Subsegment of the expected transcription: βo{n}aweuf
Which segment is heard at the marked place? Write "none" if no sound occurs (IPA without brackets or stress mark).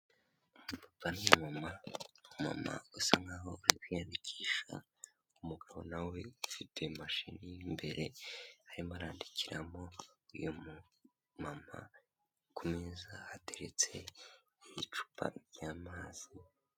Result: n